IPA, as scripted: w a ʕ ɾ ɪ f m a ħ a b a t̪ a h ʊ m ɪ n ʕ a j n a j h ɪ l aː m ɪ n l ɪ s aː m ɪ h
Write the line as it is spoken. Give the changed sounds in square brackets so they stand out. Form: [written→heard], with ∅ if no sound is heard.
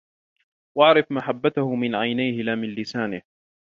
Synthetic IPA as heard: w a ʕ ɾ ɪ f m a ħ a [b→bː] a t̪ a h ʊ m ɪ n ʕ a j n a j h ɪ l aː m ɪ n l ɪ s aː [m→n] ɪ h